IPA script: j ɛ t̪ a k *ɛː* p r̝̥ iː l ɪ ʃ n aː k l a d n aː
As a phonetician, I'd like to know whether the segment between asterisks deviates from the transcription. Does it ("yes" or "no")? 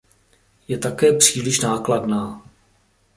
no